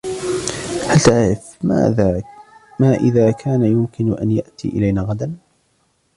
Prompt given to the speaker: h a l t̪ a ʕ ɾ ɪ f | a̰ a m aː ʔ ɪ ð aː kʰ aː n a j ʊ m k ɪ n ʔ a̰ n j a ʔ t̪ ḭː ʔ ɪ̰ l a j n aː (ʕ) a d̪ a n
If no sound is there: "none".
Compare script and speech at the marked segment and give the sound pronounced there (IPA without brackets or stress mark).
ɣ